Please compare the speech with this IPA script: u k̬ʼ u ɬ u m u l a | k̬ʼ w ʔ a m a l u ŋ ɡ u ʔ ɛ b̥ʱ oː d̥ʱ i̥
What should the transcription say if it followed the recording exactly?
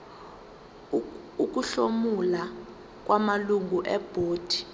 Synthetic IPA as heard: u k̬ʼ u ɬ o m u l a | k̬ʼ w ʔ a m a l u ŋ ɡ u ʔ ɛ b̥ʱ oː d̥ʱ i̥